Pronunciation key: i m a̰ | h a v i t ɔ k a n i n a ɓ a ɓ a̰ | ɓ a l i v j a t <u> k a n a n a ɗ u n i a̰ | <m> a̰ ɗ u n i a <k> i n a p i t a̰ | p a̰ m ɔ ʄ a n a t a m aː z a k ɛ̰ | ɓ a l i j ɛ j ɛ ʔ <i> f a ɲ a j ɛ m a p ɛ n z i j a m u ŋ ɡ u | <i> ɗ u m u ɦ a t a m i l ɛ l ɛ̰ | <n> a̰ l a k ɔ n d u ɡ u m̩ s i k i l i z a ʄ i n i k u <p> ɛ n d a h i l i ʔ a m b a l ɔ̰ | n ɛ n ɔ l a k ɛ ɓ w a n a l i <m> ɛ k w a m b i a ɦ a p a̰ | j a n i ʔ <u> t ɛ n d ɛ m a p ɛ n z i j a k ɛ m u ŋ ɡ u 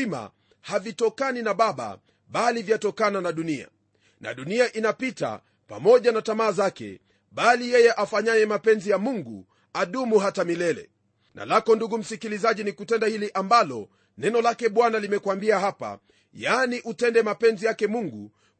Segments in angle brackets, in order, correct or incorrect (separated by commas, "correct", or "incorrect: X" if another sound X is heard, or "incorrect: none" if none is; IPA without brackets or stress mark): incorrect: ɔ, incorrect: n, incorrect: ʔ, incorrect: a, incorrect: a, correct, incorrect: t, correct, correct